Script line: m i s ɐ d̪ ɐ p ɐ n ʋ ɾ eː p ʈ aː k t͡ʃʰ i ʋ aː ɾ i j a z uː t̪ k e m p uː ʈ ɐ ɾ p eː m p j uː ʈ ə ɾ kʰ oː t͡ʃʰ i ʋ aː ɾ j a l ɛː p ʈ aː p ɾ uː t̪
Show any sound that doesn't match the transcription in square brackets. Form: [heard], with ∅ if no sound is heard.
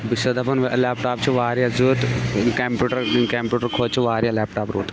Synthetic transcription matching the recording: [b] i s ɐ d̪ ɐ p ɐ n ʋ [l] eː p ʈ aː [p] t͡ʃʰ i ʋ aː ɾ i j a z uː t̪ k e m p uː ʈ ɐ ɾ [k] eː m p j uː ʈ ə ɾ kʰ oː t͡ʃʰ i ʋ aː ɾ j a l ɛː p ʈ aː p ɾ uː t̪